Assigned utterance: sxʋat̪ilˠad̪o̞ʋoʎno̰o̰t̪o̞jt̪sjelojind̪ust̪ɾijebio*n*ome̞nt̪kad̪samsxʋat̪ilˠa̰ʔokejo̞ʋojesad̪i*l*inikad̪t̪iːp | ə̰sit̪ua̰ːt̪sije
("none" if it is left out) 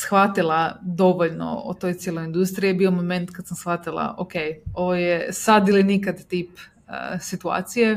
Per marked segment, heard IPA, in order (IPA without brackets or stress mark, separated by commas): m, l